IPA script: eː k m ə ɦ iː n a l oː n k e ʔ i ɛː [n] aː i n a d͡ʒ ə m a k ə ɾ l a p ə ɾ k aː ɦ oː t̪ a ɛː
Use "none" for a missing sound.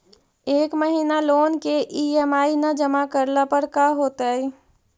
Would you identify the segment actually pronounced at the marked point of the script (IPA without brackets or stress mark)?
m